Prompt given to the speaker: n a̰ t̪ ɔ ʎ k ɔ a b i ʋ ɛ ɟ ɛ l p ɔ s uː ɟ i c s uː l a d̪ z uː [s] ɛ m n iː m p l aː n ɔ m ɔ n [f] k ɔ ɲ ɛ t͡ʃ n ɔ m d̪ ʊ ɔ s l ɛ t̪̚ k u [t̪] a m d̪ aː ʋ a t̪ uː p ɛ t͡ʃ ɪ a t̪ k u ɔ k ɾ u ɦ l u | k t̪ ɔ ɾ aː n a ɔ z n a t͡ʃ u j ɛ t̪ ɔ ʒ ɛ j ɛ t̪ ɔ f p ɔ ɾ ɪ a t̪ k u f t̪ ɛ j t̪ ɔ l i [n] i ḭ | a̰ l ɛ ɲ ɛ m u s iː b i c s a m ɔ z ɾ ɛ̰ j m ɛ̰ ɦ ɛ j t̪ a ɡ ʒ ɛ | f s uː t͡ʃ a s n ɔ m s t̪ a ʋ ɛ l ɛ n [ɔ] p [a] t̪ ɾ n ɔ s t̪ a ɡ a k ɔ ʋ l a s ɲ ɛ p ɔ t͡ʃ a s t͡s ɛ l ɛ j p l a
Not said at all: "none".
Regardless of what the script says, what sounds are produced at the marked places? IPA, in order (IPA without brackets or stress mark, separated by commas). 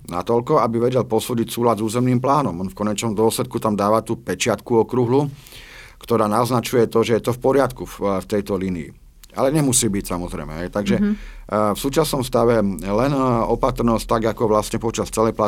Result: z, f, t̪, n, ɔ, a